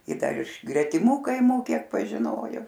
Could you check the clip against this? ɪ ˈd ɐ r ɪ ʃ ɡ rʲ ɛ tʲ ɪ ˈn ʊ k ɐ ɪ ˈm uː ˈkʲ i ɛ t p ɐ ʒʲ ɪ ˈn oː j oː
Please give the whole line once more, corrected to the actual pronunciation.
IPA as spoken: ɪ ˈd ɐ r ɪ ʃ ɡ rʲ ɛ tʲ ɪ ˈm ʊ k ɐ ɪ ˈm uː ˈkʲ i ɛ k p ɐ ʒʲ ɪ ˈn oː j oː